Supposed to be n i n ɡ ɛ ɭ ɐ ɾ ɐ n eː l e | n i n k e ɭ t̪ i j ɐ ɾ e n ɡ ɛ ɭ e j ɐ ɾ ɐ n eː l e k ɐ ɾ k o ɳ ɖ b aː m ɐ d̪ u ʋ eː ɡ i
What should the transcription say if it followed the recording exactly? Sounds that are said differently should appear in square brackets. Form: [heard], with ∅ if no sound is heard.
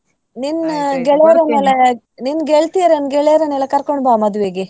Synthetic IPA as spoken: n i n ɡ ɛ ɭ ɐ ɾ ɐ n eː l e | n i n [ɡ] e ɭ t̪ i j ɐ ɾ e n ɡ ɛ ɭ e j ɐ ɾ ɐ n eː l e k ɐ ɾ k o ɳ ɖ b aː m ɐ d̪ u ʋ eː ɡ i